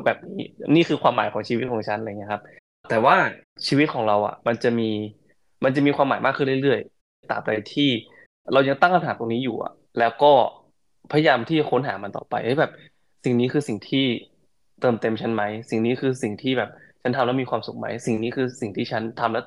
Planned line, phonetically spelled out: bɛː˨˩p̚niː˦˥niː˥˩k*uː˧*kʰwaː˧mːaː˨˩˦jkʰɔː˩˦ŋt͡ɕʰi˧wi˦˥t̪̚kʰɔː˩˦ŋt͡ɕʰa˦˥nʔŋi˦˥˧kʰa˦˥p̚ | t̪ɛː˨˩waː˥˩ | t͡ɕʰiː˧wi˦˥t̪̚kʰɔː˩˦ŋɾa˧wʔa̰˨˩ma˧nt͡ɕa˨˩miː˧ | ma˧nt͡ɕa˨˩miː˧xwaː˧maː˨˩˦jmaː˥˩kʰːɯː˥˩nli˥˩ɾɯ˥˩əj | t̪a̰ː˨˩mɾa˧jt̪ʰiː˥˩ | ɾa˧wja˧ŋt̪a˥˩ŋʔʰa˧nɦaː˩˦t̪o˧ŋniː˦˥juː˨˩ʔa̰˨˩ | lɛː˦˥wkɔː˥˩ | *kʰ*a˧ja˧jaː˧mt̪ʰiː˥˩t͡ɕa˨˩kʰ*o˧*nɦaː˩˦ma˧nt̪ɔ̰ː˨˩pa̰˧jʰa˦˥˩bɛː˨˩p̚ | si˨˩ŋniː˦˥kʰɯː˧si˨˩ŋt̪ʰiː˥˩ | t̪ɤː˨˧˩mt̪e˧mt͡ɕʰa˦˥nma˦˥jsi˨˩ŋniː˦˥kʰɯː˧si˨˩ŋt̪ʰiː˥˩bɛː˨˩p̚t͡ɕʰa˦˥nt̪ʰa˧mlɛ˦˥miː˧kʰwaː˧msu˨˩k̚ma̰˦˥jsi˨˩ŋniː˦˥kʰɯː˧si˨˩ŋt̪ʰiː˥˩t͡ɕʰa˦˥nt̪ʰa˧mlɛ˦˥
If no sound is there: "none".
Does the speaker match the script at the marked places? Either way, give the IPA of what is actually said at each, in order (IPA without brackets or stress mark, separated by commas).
ɯː˧, pʰ, o˦˥